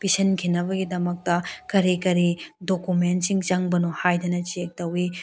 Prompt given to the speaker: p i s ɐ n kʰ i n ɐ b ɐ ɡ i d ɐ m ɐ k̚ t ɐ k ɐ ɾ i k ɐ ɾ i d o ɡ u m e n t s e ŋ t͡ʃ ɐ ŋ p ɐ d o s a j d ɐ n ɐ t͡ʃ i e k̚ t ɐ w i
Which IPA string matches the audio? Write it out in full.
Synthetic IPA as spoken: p i s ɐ n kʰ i n ɐ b ɐ ɡ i d ɐ m ɐ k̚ t ɐ k ɐ ɾ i k ɐ ɾ i d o k u m e n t s i ŋ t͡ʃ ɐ ŋ b ɐ n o h a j d ɐ n ɐ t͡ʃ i e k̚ t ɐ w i